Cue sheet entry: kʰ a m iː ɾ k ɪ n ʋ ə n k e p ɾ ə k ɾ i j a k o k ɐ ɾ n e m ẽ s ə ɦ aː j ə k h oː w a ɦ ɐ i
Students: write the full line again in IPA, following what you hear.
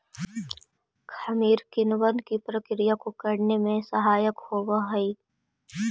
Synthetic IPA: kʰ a m iː ɾ k ɪ n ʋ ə n k i p ɾ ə k ɾ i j a k o k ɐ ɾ n e m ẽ s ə ɦ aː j ə k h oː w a ɦ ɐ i